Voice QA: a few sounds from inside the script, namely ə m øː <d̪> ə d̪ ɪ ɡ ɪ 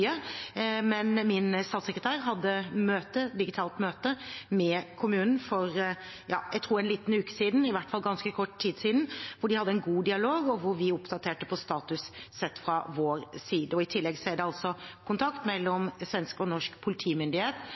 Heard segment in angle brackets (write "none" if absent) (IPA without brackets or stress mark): t̪